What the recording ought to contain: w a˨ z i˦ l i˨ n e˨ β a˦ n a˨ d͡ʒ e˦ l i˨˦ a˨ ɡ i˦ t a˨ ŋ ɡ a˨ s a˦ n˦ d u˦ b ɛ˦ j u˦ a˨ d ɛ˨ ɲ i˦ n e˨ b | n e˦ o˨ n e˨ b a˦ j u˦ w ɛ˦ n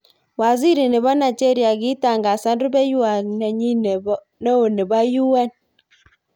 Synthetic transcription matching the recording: w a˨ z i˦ ɾ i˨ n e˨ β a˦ n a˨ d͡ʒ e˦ ɾ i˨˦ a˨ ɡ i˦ t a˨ ŋ ɡ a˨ s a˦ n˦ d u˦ b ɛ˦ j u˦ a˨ n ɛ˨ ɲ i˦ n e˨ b | n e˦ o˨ n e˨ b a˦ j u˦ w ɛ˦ n